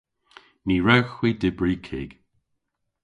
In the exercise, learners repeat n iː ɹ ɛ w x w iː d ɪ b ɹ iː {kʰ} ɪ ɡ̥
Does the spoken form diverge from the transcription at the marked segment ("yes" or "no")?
no